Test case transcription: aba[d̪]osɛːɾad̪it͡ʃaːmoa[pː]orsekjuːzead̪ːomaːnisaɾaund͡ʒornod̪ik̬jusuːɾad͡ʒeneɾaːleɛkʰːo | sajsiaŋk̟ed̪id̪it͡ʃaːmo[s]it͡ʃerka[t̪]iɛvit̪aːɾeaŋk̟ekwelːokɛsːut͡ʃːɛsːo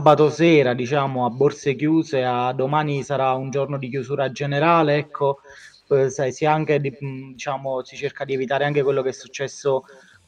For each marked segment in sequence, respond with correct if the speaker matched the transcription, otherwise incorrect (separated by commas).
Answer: incorrect, incorrect, correct, incorrect